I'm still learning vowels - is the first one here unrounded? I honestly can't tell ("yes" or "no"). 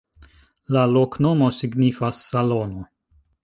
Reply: yes